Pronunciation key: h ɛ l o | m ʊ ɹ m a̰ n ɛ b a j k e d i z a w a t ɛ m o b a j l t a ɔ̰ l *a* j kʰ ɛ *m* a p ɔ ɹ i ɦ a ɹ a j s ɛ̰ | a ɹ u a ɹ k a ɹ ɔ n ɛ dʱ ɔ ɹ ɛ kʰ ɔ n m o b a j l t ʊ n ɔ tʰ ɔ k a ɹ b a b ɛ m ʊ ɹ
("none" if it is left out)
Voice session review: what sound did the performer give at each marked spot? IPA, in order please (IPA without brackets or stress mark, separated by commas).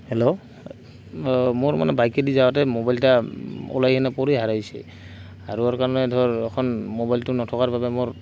a, n